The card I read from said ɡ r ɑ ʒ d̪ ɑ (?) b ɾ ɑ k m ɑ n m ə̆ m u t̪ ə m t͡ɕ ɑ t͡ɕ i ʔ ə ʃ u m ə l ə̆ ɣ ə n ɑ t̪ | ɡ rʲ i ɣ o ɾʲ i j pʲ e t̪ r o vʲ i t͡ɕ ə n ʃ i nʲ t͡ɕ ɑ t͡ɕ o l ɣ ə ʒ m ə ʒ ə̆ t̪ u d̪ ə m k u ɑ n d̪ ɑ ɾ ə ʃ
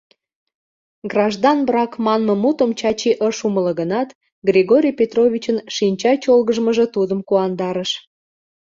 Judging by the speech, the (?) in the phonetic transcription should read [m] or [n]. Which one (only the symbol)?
n